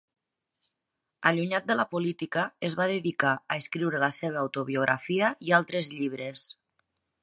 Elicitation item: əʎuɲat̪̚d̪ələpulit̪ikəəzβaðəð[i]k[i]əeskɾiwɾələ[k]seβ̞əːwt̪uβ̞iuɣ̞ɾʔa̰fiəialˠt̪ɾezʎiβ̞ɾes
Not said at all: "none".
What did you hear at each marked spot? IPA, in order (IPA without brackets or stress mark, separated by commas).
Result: i, a, none